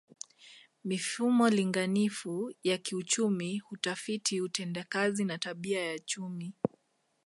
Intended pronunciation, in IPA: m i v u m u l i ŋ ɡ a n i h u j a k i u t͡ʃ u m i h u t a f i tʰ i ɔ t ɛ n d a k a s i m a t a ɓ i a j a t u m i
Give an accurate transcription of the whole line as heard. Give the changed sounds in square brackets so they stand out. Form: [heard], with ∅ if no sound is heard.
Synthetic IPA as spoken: m i [f] u m [ɔ] l i ŋ ɡ a n i [f] u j a k i u t͡ʃ u m i h u t a f i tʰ i [u] t ɛ n d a k a [z] i [n] a t a ɓ i a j a [t͡ʃ] u m i